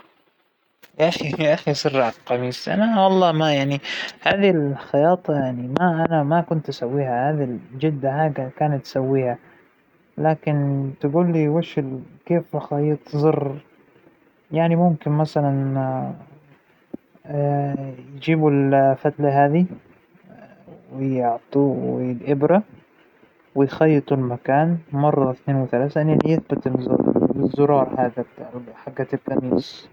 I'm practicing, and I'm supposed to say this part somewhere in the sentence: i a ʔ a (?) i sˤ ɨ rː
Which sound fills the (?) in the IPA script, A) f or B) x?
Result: B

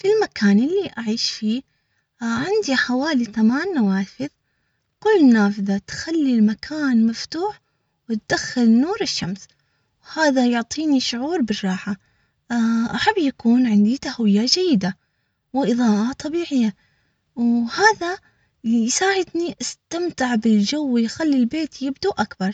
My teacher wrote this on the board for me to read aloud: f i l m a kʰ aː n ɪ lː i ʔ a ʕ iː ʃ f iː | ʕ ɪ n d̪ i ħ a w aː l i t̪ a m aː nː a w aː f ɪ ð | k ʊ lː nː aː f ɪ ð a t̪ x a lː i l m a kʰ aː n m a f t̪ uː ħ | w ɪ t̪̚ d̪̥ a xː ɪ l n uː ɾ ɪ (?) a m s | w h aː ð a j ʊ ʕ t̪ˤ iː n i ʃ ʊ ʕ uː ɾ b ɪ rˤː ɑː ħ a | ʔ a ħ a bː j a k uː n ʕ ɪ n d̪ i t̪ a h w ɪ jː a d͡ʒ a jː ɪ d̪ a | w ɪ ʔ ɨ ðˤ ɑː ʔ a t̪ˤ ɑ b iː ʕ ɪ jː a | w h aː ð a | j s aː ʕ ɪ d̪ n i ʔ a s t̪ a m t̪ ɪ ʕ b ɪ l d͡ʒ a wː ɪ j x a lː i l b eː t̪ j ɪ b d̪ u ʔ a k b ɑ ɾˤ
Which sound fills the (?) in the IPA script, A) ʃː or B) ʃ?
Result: A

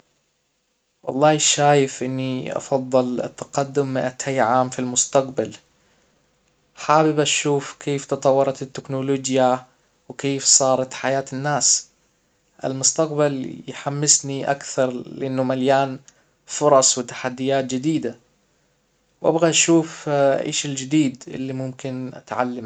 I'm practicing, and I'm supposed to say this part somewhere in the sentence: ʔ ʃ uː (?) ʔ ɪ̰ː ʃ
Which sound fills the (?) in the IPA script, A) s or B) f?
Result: B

